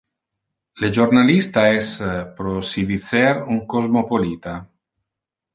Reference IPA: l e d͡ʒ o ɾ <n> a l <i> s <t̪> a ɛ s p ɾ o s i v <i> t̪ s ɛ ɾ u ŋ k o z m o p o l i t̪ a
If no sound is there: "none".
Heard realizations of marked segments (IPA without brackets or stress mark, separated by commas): n, i, t̪, i